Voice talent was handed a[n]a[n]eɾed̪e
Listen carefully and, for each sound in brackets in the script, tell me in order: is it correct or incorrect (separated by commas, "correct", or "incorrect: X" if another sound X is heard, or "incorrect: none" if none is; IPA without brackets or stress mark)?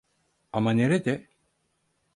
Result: incorrect: m, correct